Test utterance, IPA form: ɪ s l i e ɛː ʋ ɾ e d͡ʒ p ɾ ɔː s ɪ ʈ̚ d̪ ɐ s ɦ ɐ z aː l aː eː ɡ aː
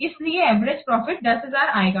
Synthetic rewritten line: ɪ s l i e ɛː ʋ ɾ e d͡ʒ p ɾ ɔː f ɪ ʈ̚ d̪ ɐ s ɦ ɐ z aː ɾ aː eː ɡ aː